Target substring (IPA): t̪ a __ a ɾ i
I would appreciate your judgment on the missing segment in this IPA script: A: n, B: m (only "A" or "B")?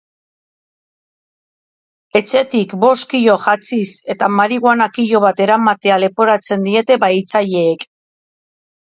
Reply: B